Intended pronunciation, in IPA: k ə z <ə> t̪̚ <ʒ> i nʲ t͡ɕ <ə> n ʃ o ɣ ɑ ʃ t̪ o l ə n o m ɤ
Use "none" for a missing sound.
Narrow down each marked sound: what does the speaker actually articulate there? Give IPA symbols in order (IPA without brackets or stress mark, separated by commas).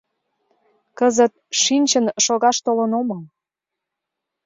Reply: ə, ʃ, ə